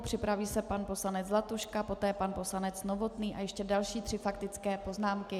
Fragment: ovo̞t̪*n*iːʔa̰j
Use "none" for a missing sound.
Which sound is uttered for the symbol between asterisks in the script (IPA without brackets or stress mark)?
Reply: n